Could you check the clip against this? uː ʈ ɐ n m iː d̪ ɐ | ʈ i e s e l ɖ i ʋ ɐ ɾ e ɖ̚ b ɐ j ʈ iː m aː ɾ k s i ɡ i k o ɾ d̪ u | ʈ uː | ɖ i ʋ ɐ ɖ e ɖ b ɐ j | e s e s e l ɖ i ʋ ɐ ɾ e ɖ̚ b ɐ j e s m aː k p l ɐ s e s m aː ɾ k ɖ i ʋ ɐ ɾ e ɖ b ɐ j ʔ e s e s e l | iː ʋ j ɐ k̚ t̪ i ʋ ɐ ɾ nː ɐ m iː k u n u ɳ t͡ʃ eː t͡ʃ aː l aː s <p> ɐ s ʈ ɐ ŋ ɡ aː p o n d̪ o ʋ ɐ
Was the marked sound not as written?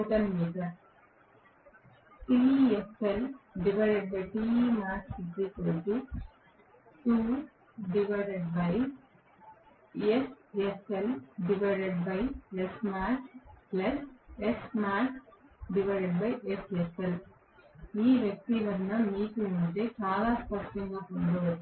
no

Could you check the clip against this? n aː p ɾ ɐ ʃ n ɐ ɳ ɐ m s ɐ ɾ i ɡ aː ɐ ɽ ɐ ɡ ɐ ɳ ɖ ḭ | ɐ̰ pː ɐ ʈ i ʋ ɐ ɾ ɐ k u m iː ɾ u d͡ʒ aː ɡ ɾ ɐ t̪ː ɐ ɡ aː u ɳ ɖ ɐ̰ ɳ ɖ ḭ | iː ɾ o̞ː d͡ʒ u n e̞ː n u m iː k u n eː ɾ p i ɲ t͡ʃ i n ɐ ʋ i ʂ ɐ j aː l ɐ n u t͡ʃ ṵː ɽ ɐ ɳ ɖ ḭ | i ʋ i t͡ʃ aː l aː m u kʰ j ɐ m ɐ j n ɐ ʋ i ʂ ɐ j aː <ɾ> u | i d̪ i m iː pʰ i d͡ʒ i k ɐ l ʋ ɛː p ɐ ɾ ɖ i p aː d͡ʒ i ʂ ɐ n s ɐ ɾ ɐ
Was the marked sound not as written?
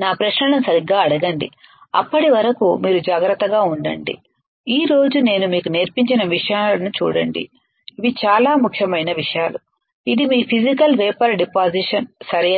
yes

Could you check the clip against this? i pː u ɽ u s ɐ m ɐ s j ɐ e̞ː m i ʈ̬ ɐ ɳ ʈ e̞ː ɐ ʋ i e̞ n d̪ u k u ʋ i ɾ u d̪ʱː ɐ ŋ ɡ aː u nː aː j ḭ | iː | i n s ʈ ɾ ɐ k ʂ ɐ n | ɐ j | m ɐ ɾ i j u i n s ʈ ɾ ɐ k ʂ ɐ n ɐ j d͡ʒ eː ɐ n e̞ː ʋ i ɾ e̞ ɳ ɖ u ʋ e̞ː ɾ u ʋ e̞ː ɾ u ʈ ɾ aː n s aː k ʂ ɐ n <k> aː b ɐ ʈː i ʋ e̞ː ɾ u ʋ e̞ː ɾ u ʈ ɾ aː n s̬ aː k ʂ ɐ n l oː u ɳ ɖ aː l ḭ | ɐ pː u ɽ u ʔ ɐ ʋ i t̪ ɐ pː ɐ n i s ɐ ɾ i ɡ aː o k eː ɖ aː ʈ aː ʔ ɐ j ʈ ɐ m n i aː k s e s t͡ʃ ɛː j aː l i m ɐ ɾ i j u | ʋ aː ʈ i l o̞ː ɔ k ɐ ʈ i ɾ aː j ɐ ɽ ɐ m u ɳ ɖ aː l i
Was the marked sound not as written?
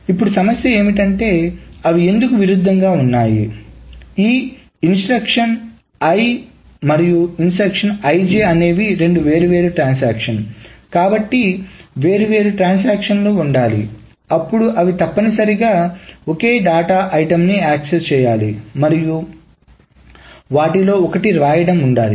no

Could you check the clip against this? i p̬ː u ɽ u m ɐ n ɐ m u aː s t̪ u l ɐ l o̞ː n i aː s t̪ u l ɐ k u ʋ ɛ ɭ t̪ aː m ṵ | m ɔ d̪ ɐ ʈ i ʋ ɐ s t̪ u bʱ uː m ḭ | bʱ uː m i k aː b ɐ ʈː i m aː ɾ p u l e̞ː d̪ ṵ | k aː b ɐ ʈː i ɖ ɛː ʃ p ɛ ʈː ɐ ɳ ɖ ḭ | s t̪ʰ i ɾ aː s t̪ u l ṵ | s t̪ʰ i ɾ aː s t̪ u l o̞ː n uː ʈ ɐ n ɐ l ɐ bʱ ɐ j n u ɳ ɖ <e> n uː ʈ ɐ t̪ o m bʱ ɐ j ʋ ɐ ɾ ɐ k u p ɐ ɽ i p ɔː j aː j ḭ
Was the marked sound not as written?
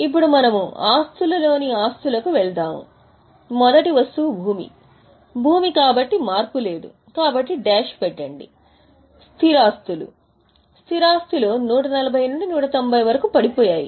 yes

